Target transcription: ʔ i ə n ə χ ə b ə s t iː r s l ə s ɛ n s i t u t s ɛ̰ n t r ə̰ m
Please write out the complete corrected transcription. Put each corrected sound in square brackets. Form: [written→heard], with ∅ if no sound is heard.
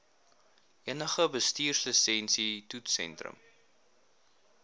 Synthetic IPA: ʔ i ə n ə χ ə b ə s t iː r s l ə s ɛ n s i t u t s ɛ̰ n t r ə̰ m